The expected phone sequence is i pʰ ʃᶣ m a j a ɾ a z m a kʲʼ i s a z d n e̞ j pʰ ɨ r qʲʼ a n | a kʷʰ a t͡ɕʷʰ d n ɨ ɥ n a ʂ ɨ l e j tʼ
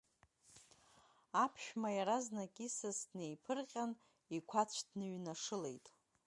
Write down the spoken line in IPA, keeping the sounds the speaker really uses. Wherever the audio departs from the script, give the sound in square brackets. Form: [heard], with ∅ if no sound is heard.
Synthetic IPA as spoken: [a] pʰ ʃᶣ m a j a ɾ a z [n] a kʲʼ i s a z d n e̞ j pʰ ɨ r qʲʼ a n | [i] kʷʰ a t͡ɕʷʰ d n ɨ ɥ n a ʂ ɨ l e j tʼ